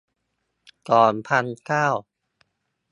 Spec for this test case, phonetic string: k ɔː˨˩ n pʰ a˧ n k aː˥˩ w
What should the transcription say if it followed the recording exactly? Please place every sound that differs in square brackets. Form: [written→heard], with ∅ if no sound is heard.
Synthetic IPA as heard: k ɔː˨˩ n pʰ a˧ n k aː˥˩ w